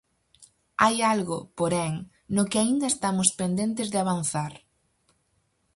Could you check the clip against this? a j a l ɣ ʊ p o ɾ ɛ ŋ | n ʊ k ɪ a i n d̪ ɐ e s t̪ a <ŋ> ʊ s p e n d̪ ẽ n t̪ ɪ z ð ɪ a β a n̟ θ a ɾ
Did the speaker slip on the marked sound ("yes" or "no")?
yes